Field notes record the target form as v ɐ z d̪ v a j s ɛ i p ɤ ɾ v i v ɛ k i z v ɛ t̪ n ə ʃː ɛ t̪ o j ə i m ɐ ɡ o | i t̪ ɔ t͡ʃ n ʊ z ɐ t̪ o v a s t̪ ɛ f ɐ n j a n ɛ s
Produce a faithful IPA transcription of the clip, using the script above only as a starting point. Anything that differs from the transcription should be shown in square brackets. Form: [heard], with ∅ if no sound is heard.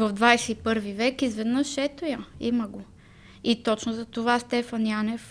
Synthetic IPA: v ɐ [v] d̪ v a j s ɛ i p ɤ ɾ v i v ɛ k i z v ɛ [d̪] n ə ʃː ɛ t̪ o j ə i m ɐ ɡ o | i t̪ ɔ t͡ʃ n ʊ z ɐ t̪ o v a s t̪ ɛ f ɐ n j a n ɛ [f]